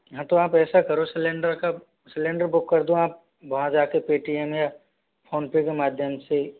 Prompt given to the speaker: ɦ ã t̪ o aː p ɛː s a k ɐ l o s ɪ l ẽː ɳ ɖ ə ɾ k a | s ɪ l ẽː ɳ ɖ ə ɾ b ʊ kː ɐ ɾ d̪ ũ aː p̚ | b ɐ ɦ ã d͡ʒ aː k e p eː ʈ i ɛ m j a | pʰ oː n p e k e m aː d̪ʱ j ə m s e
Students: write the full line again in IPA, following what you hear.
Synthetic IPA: ɦ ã t̪ o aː p ɛː s a k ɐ ɾ o s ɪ l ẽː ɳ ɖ ə ɾ k a | s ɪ l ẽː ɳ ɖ ə ɾ b ʊ kː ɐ ɾ d̪ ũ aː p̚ | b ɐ ɦ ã d͡ʒ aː k e p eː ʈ i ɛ m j a | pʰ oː n p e k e m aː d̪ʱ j ə m s e